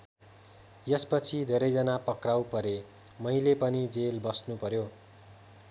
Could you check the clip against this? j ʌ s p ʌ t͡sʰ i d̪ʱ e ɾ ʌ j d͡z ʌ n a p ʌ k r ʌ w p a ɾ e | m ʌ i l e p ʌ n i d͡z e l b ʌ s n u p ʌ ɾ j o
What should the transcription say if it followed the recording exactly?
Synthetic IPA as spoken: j ʌ s p ʌ t͡sʰ i d̪ʱ e ɾ ʌ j d͡z ʌ n a p ʌ k r a w p ʌ ɾ e | m ʌ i l e p ʌ n i d͡z e l b ʌ s n u p ʌ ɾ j o